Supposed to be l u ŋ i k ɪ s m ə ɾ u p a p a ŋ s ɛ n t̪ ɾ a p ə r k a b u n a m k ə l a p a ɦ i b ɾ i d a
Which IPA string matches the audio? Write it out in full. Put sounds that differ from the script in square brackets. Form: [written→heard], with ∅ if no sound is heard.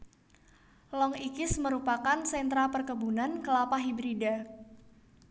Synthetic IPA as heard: l [u→ɔ] ŋ i k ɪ s m ə ɾ u p a [p→k] a [ŋ→n] s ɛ n t̪ ɾ a p ə r k [a→ə] b u n a [m→n] k ə l a p a ɦ i b ɾ i d a